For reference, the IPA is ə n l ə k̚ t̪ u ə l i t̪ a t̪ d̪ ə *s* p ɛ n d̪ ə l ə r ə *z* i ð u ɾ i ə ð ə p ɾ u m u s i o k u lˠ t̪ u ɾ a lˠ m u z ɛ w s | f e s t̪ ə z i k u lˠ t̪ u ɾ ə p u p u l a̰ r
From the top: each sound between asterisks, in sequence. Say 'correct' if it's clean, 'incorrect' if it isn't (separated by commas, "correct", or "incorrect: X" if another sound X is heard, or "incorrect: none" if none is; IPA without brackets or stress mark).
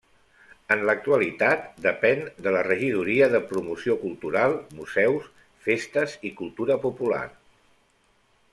incorrect: none, incorrect: ʒ